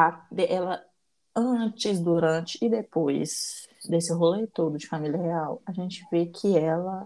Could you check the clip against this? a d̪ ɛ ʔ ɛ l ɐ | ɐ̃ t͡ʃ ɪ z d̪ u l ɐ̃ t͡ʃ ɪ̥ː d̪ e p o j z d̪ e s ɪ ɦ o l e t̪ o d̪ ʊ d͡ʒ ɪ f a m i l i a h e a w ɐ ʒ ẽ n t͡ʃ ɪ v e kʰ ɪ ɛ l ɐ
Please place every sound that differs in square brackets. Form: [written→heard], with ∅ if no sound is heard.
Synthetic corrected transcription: a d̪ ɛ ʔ ɛ l ɐ | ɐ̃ t͡ʃ ɪ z d̪ u [l→ɾ] ɐ̃ t͡ʃ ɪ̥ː d̪ e p o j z d̪ e s ɪ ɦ o l e t̪ o d̪ ʊ d͡ʒ ɪ f a m i l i [a→ɐ] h e a w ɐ ʒ ẽ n t͡ʃ ɪ v e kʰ ɪ ɛ l ɐ